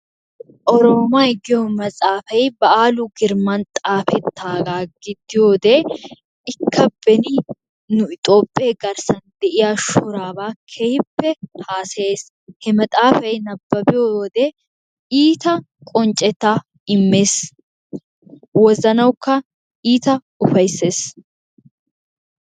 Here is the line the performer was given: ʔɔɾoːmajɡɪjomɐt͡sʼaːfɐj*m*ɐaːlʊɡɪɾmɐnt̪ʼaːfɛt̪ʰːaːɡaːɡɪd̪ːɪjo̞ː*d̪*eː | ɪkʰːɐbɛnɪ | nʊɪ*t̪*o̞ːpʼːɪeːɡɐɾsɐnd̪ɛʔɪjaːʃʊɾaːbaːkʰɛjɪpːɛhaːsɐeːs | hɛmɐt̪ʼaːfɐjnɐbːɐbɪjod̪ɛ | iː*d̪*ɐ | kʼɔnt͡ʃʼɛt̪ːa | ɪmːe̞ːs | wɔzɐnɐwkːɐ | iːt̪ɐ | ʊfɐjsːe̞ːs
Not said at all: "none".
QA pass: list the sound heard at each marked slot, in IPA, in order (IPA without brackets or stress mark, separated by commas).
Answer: b, d̪, t̪ʼ, t̪